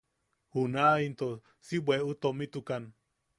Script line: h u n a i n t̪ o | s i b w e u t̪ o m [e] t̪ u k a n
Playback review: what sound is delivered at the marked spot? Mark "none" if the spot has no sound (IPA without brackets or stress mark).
i